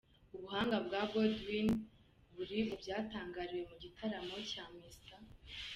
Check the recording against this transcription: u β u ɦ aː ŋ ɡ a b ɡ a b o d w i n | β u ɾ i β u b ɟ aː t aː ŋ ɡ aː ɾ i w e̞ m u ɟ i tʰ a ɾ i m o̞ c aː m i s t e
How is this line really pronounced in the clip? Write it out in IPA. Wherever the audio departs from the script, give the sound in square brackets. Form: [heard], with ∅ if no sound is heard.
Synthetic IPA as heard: u β u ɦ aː ŋ ɡ a b ɡ a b o d w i n | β u ɾ i β u b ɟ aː t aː ŋ ɡ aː ɾ i w e̞ m u ɟ i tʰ a ɾ [a] m o̞ c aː m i s t [a]